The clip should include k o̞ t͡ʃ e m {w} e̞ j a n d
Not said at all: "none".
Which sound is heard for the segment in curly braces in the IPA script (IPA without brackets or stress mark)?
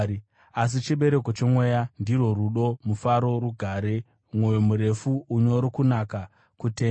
w